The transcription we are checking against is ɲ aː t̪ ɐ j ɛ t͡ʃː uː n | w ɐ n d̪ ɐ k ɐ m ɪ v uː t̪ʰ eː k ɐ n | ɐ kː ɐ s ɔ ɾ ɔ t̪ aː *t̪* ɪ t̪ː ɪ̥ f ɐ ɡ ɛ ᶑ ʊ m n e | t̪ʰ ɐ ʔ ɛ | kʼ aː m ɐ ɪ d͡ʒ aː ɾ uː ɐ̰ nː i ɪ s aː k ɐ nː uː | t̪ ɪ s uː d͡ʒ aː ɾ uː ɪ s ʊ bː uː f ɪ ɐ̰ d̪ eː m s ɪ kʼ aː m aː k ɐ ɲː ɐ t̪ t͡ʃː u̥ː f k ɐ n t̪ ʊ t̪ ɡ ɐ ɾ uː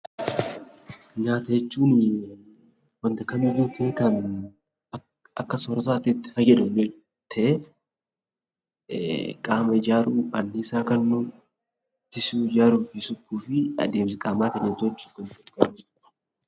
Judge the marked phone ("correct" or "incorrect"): correct